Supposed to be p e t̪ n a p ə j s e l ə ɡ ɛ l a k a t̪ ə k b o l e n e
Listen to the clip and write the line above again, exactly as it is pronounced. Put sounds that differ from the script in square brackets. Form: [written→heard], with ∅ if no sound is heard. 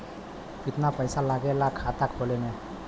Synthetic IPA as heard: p [e→i] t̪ n a p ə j s [e→a] l [ə→a] ɡ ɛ l a [k→kʰ] a t̪ [ə→a] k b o l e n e